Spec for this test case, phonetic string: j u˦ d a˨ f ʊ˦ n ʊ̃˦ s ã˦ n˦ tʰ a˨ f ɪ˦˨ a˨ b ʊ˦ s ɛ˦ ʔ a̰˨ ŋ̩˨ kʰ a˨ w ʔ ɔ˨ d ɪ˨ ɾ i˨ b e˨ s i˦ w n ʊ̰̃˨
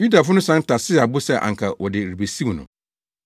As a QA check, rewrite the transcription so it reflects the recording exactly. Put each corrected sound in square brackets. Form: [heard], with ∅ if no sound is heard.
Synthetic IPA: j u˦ d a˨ f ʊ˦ n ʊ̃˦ s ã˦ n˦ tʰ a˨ [s] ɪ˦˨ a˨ b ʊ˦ s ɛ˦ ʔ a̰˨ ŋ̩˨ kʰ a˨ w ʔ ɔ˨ d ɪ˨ ɾ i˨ b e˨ s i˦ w n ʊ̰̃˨